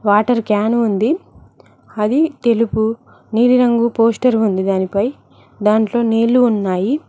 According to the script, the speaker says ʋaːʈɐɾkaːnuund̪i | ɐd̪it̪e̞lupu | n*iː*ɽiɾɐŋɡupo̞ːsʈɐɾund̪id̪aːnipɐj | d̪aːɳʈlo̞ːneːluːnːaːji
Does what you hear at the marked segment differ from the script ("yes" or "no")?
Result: no